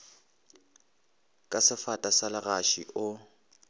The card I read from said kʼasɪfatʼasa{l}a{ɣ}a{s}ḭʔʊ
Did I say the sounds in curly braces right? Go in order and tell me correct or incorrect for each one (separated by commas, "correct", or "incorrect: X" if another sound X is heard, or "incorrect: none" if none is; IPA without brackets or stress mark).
correct, correct, incorrect: ʃ